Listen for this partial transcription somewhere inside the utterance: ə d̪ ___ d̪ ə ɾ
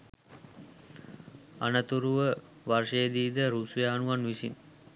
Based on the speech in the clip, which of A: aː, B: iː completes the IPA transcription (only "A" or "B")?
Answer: B